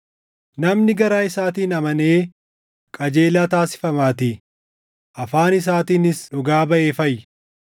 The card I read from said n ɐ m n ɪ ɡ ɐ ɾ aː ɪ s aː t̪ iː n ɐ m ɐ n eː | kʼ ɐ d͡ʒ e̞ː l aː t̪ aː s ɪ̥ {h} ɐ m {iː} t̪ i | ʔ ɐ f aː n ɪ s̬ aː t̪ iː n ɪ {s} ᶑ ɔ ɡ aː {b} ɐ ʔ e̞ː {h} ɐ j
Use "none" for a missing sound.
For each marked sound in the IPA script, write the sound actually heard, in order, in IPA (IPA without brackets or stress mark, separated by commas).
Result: f, aː, s, b, f